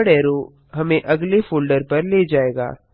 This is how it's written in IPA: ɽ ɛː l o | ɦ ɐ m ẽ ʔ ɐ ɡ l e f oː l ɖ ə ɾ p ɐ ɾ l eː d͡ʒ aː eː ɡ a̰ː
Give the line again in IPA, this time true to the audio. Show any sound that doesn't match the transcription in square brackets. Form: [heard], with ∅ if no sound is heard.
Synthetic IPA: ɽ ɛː [ɾ] o | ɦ ɐ m ẽ ʔ ɐ ɡ l e f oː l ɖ ə ɾ p ɐ ɾ l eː d͡ʒ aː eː ɡ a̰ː